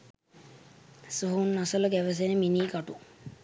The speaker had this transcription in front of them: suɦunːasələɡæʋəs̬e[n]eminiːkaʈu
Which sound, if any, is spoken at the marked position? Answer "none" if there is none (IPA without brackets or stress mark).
n